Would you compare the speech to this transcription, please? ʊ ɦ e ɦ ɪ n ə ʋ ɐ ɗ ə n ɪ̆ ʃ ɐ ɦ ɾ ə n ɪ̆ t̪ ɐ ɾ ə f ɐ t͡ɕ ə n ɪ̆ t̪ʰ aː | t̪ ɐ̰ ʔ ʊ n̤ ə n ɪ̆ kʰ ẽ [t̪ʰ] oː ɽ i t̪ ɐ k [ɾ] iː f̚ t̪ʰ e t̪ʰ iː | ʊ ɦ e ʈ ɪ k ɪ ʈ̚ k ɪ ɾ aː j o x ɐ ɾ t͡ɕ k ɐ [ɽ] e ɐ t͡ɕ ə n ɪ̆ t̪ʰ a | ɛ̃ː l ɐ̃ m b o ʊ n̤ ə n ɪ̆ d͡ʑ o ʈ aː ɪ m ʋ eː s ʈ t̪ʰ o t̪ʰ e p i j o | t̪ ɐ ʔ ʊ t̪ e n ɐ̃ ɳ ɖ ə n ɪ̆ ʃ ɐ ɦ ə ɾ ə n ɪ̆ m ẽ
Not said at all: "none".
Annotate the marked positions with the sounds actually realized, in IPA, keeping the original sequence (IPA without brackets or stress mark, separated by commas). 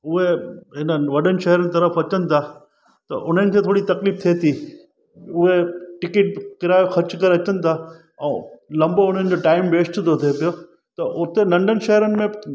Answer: t̪ʰ, l, ɾ